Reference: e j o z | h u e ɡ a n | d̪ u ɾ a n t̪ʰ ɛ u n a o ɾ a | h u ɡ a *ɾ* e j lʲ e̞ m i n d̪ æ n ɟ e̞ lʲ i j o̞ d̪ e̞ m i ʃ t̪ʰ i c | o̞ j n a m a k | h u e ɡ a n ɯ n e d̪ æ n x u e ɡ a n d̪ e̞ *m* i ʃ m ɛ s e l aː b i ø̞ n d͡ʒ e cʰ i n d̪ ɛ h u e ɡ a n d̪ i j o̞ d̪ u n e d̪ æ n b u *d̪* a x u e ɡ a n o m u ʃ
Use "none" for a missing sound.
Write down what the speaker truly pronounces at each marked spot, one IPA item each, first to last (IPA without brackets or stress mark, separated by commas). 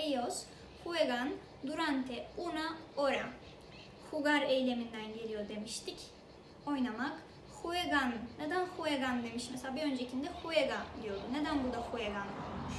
ɾ, m, d̪